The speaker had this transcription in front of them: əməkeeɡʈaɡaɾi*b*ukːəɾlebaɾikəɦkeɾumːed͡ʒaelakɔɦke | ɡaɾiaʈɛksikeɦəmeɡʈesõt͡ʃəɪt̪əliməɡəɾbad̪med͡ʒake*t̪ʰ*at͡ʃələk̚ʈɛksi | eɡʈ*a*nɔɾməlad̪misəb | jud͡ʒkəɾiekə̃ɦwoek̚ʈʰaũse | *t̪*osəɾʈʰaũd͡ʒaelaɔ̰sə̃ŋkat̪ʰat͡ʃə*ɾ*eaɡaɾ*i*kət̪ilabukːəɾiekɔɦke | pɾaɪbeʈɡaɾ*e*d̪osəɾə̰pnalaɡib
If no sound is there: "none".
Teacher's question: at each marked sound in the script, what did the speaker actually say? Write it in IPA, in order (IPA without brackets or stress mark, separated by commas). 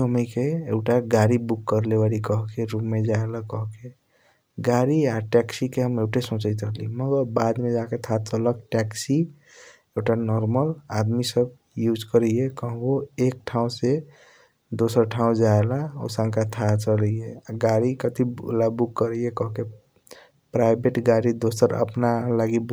b, t̪ʰ, a, d̪, l, i, i